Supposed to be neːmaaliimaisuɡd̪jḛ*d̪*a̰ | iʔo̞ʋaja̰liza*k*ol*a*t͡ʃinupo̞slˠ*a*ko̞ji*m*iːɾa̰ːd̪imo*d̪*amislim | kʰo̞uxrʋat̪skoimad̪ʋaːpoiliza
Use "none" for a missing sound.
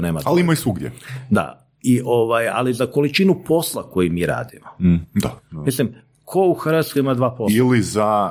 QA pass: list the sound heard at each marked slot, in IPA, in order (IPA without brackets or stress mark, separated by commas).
d̪, k, i, a, m, d̪